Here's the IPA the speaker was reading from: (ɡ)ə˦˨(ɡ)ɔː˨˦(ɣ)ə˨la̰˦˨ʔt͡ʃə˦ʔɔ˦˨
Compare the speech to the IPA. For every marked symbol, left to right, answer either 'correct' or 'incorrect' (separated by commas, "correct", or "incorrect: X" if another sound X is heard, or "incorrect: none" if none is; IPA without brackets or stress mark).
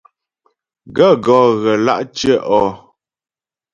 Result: correct, correct, correct